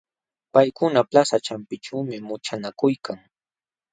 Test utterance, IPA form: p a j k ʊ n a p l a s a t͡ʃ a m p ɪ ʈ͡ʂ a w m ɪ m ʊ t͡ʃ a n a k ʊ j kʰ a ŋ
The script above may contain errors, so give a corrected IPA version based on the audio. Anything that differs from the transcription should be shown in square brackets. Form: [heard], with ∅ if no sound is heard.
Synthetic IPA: p a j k ʊ n a p l a s a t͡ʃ a m p ɪ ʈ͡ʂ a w m ɪ m ʊ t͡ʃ a n a k ʊ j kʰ a ŋ